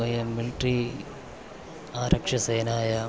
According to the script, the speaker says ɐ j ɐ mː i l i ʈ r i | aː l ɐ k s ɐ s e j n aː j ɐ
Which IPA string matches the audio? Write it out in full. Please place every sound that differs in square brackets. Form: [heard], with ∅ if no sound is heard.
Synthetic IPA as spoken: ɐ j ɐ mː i l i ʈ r i | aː [ɾ] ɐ k [ʂ] ɐ s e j n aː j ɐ